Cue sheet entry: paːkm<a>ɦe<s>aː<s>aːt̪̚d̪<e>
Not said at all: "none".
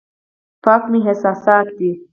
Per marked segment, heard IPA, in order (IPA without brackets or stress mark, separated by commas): i, s, s, i